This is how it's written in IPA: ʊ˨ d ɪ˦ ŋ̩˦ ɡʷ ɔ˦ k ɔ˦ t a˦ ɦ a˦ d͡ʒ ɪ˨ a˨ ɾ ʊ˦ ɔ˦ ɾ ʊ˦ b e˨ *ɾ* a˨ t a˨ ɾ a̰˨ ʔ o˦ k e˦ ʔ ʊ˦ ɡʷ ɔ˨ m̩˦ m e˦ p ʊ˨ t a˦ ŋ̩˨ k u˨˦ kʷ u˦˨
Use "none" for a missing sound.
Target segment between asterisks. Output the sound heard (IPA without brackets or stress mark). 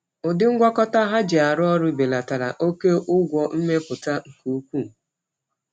l